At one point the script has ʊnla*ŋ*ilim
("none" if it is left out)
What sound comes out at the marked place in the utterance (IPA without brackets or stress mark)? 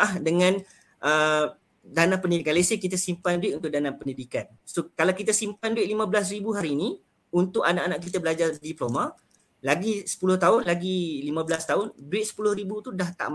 ɡ